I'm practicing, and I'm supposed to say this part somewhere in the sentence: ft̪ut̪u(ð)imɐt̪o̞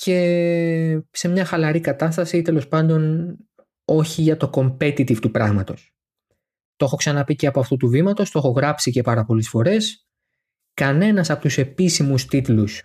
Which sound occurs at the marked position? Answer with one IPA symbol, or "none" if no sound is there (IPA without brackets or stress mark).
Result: v